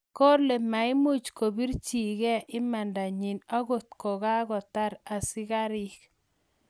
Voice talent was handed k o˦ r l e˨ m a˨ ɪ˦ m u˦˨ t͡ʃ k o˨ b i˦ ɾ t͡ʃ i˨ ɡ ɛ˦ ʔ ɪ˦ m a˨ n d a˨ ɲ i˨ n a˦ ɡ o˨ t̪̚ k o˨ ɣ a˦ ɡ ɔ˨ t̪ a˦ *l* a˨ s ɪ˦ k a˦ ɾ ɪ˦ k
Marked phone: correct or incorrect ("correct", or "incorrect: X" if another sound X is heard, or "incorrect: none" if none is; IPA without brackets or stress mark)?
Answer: incorrect: ɾ